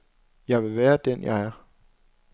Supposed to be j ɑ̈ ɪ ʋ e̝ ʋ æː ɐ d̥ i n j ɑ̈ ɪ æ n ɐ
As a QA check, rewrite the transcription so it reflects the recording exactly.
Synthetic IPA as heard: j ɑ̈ ɪ ʋ e̝ ʋ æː ɐ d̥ e n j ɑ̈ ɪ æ ɐ